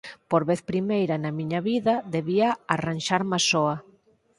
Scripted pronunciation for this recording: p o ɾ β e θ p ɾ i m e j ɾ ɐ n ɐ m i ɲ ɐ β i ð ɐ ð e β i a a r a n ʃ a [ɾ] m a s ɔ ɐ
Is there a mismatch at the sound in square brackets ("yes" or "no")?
no